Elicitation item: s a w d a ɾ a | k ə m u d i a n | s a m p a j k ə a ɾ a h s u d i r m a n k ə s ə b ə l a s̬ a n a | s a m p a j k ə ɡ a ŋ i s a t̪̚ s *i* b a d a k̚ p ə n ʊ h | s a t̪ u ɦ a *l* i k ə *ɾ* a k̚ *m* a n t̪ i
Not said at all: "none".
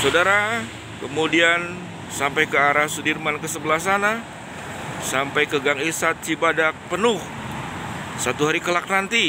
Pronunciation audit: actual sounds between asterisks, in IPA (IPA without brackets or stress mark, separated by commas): i, ɾ, l, n